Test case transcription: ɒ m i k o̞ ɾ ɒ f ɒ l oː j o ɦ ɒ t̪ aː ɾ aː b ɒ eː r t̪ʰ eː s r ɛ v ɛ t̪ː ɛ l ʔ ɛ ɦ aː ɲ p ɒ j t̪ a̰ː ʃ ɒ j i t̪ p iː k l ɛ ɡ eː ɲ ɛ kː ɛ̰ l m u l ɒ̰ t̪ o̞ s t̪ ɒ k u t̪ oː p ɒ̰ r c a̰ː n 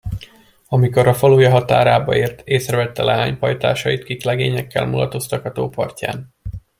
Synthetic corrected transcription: ɒ m i k o̞ ɾ ɒ f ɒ l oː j ɒ ɦ ɒ t̪ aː ɾ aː b ɒ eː r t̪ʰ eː s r ɛ v ɛ t̪ː ɛ l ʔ ɛ ɦ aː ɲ p ɒ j t̪ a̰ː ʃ ɒ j i t̪ k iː k l ɛ ɡ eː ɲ ɛ kː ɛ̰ l m u l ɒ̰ t̪ o̞ s t̪ ɒ k ɒ t̪ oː p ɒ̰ r c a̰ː n